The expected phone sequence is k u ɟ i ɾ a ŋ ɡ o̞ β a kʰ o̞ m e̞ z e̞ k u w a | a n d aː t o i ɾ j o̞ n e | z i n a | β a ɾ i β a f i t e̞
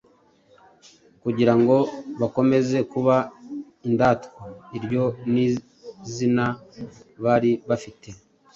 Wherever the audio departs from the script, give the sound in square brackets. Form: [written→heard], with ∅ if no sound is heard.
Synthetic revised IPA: k u ɟ i ɾ a ŋ ɡ o̞ β a [kʰ→k] o̞ m e̞ z e̞ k u [w→β] a | [a→i] n d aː t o i ɾ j o̞ n [e→i] | z i n a | β a ɾ i β a f i t e̞